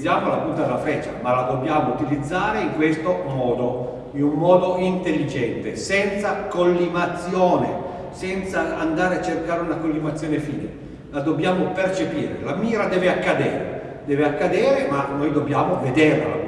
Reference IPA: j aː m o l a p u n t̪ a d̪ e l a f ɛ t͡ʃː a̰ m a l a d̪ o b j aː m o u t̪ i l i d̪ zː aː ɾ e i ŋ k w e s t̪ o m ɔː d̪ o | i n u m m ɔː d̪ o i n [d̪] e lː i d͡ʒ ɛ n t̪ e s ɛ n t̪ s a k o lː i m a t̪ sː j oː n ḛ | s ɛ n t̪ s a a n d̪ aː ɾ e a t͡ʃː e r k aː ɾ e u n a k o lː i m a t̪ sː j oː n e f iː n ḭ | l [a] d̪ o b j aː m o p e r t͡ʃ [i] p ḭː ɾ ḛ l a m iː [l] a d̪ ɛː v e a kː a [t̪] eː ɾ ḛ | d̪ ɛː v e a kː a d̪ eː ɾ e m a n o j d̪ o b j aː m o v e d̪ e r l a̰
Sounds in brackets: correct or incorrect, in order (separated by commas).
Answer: incorrect, correct, incorrect, incorrect, incorrect